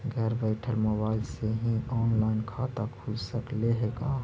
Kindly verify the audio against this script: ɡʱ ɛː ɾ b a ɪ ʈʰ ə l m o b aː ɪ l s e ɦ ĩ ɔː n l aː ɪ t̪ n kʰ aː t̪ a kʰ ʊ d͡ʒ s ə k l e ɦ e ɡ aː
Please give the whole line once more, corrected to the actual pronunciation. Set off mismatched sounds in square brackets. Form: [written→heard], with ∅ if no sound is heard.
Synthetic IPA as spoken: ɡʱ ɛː ɾ b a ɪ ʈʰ ə l m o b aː ɪ l s e ɦ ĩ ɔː n l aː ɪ [t̪→∅] n kʰ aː t̪ a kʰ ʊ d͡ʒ s ə k l e ɦ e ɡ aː